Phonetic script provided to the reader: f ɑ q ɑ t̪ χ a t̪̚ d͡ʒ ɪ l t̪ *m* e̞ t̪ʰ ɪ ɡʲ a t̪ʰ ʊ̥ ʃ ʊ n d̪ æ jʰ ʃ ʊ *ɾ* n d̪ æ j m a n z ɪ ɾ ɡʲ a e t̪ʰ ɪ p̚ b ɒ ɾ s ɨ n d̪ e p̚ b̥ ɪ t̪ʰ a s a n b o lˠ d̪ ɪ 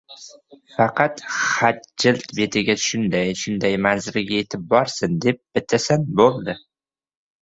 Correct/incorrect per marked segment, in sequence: incorrect: b, incorrect: none

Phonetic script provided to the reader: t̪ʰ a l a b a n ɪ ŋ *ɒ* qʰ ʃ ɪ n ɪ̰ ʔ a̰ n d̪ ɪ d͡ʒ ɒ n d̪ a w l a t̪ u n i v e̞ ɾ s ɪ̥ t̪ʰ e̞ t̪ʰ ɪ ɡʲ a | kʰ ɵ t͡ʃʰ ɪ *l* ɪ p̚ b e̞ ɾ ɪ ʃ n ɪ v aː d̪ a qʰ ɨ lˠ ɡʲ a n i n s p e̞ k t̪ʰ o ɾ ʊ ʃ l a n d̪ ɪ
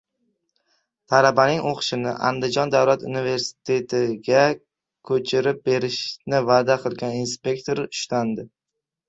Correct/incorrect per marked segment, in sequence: incorrect: o, incorrect: ɾ

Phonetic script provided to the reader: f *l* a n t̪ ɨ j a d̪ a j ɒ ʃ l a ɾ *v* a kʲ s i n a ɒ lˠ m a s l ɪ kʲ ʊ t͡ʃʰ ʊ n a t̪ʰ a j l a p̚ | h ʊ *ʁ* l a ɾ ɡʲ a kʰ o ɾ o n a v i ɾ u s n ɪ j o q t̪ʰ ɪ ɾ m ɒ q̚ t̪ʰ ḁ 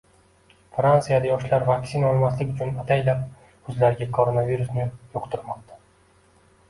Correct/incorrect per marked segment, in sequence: incorrect: ɾ, correct, incorrect: z

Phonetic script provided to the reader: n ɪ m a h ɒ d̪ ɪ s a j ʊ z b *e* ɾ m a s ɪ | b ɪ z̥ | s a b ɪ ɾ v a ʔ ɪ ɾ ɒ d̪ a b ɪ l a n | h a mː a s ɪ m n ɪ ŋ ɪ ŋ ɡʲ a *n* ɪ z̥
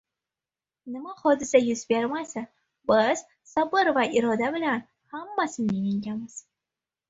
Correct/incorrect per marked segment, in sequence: correct, incorrect: m

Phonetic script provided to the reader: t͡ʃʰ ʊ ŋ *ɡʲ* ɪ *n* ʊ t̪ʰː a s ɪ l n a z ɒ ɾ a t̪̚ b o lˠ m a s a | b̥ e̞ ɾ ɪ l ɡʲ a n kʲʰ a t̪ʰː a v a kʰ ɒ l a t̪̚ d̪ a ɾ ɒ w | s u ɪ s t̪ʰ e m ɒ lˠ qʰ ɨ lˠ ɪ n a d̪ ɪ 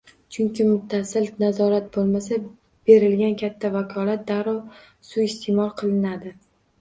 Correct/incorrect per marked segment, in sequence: incorrect: kʲ, incorrect: m

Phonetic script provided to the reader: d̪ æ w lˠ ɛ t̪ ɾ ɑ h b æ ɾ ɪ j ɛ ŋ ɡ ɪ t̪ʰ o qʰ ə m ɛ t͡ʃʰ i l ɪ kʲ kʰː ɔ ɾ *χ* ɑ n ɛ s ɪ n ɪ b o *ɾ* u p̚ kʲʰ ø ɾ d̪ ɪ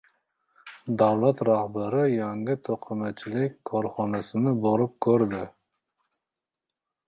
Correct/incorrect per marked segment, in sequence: correct, correct

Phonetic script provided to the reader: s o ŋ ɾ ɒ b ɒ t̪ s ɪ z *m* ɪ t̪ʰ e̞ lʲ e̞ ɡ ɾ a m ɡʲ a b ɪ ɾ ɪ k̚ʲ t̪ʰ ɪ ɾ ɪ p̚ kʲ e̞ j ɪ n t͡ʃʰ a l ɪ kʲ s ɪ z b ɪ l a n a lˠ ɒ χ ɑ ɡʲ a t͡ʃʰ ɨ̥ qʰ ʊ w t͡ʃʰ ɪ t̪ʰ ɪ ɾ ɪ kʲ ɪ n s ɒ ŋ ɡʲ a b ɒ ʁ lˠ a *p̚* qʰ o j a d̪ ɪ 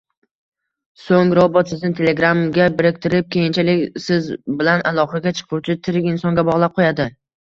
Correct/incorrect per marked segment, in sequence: incorrect: n, correct

